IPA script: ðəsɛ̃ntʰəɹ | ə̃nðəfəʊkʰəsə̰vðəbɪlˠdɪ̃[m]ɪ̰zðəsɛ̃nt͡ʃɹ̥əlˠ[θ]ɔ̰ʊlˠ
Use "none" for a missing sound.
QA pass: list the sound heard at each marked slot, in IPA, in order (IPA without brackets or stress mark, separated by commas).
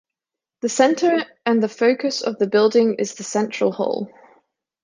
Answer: ŋ, h